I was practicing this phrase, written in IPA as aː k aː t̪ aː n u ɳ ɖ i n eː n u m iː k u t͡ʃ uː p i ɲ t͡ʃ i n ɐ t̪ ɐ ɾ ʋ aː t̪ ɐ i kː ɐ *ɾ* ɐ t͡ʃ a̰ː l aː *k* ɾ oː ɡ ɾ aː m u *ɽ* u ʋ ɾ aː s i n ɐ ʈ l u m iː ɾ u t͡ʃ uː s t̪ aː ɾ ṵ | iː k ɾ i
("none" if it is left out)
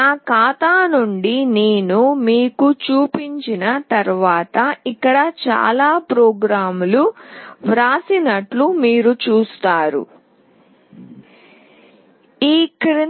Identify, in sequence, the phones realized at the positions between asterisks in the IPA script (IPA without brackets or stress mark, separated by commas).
ɽ, p, l